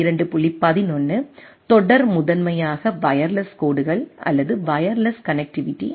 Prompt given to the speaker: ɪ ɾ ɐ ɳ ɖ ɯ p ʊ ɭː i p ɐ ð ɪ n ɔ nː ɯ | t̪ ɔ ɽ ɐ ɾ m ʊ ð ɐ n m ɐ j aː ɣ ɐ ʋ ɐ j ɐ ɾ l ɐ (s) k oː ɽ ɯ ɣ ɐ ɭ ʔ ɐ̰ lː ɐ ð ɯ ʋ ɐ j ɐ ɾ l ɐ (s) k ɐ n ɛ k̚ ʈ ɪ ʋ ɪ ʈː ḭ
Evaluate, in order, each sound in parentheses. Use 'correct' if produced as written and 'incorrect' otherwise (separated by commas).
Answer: correct, correct